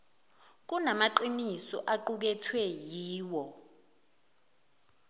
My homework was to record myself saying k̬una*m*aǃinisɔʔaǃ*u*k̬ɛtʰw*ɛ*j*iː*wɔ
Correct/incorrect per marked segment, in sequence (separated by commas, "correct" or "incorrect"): correct, correct, correct, correct